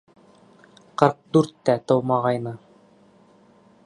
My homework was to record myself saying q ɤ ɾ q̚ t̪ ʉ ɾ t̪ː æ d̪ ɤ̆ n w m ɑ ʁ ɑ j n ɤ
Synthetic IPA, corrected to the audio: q ɤ ɾ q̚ d̪ ʉ ɾ t̪ː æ t̪ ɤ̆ w m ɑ ʁ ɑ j n ɤ